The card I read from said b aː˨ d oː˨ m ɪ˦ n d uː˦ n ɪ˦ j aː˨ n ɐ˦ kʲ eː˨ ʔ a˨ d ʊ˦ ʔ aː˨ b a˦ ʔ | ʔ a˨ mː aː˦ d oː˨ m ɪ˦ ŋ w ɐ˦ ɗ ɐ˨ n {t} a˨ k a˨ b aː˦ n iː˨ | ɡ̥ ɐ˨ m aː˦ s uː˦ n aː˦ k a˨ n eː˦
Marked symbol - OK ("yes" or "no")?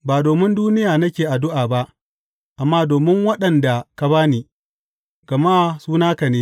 no